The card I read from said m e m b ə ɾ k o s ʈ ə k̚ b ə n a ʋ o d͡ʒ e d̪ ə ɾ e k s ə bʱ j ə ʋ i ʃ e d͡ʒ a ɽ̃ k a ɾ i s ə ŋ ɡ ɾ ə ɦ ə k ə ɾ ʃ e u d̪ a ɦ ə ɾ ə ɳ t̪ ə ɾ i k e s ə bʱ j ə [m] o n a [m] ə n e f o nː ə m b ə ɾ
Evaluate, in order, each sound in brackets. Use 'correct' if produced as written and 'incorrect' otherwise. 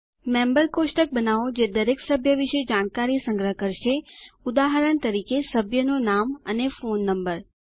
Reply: incorrect: n, correct

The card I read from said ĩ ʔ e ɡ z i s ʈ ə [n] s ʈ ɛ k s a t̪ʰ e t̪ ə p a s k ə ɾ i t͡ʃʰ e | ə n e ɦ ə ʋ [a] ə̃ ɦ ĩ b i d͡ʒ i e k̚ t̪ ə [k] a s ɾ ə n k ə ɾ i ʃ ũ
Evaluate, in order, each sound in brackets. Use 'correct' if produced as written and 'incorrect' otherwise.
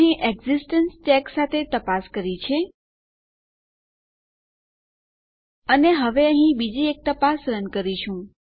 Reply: correct, incorrect: e, incorrect: p

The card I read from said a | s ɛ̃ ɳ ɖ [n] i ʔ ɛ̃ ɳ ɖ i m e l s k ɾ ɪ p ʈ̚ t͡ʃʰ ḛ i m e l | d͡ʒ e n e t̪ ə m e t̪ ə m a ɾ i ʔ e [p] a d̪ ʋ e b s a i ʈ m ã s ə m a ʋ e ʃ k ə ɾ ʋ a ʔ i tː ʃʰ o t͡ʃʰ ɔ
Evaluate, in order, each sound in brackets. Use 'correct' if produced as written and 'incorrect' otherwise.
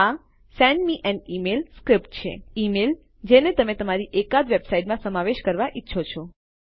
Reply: incorrect: m, incorrect: k

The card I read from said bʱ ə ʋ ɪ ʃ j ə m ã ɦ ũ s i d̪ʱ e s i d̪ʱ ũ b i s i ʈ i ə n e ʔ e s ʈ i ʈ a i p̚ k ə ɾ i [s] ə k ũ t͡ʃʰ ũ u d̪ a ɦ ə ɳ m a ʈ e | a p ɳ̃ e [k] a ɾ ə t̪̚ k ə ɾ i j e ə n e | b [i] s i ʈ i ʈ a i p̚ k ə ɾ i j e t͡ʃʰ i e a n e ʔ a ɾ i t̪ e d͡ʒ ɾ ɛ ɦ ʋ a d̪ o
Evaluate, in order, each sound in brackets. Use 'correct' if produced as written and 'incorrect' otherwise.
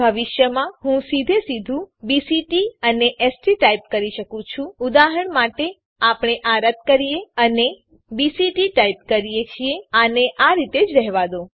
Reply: incorrect: ʃ, incorrect: ʔ, correct

